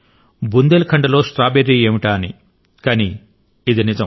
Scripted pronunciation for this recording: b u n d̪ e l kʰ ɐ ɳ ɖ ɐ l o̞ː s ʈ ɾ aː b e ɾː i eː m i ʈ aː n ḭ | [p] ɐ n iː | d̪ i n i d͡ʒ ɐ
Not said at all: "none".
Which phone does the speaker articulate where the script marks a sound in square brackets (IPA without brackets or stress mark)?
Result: k